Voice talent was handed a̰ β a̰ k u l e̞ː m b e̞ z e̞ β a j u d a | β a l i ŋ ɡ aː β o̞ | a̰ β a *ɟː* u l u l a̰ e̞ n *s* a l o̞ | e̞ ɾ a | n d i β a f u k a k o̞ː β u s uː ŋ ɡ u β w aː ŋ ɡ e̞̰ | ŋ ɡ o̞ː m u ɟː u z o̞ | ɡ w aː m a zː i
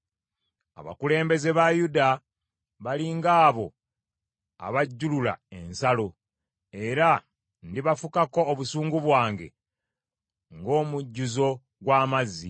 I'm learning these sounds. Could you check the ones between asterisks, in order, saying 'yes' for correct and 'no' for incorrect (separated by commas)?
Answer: yes, yes